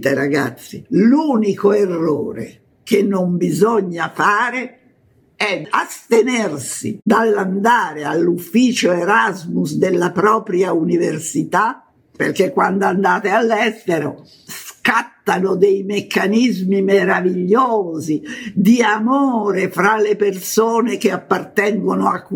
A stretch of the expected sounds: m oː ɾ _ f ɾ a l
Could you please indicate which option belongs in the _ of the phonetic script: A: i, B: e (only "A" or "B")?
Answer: B